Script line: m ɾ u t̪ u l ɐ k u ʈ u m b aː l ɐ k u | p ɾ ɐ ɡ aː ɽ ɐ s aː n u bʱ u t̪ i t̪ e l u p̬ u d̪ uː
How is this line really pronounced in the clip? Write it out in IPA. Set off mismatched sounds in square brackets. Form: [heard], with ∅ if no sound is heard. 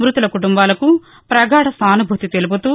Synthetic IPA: m ɾ u t̪ u l ɐ k u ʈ u m b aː l ɐ k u | p ɾ ɐ ɡ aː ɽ ɐ s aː n u bʱ u t̪ i t̪ e l u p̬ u [t̪] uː